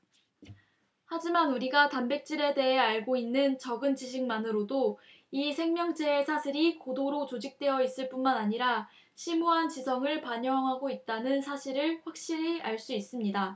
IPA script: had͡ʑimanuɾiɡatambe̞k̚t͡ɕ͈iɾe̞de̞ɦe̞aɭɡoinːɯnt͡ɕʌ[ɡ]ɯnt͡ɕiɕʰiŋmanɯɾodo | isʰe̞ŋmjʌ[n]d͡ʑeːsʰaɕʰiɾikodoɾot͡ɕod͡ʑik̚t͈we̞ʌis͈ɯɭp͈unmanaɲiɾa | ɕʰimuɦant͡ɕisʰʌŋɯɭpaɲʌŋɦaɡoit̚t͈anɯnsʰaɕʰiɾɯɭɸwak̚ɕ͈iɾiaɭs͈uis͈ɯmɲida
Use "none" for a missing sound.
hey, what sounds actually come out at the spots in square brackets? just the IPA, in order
ɡ, ŋ

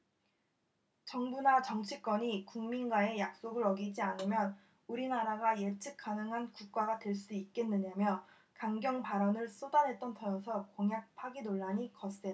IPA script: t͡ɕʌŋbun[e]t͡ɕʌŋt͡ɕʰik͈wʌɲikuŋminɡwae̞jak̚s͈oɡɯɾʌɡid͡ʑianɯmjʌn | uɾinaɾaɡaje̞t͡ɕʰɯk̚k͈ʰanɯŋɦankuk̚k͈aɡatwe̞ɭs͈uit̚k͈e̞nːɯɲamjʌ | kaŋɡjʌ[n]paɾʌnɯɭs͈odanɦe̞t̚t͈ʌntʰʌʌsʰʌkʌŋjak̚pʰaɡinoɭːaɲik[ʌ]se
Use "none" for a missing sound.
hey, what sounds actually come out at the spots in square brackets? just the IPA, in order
a, ŋ, ʌ

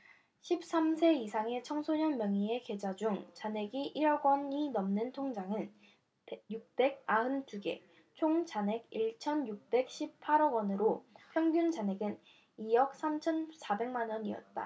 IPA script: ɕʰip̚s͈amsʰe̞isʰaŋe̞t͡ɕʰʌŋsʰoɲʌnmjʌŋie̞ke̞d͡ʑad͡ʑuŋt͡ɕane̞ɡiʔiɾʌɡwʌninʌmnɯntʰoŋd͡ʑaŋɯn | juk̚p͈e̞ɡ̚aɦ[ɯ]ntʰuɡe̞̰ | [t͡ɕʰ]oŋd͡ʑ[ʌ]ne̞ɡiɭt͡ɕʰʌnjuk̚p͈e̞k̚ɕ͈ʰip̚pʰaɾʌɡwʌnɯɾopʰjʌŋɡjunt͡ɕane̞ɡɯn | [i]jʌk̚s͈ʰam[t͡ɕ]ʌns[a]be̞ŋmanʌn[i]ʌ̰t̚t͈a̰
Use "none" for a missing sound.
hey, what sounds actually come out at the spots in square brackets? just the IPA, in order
ɯ, t͡ɕʰ, a, i, t͡ɕʰ, a, i

